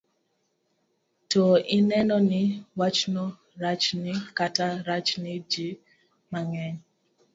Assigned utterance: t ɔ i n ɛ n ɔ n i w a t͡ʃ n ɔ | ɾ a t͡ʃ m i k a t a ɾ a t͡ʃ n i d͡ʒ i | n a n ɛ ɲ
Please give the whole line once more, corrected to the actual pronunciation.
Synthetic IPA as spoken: t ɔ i n ɛ n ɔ n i w a t͡ʃ n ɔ | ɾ a t͡ʃ n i k a t a ɾ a t͡ʃ n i d͡ʒ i | m a ŋ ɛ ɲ